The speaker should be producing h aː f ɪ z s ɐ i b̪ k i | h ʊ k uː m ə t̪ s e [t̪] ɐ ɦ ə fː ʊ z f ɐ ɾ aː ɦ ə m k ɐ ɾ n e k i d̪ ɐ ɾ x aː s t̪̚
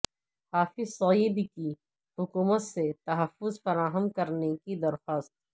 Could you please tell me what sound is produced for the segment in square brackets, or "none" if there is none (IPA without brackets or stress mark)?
t̪